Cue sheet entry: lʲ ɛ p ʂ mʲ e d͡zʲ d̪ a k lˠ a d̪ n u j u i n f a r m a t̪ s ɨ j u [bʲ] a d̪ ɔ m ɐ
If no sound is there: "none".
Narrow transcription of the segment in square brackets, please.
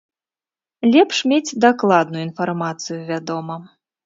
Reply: vʲ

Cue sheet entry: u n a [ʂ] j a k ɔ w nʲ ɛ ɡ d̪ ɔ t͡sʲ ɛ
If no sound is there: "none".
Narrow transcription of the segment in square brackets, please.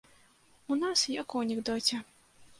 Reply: s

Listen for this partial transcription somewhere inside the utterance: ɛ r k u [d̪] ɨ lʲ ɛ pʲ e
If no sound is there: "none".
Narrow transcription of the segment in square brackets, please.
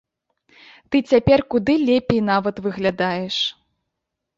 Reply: d̪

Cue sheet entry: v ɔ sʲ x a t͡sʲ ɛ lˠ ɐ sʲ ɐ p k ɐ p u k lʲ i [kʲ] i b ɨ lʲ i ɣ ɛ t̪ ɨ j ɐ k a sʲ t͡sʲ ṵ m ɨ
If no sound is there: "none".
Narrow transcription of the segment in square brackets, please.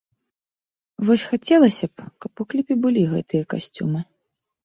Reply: pʲ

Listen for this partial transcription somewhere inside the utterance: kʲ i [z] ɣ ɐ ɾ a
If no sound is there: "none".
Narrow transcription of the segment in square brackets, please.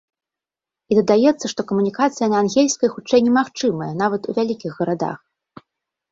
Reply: ɣ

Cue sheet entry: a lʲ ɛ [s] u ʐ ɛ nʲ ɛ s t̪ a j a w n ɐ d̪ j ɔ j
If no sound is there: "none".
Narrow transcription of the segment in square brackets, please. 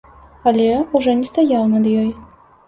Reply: none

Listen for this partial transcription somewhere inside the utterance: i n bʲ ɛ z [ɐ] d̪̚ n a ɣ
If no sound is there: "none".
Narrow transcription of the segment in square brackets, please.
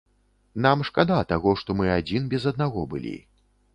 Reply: ɐ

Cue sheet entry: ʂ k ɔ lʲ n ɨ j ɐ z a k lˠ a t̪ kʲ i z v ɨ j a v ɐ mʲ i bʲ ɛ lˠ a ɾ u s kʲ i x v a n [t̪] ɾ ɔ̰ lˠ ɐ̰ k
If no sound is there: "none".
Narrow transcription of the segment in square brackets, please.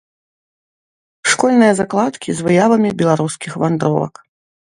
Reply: d̪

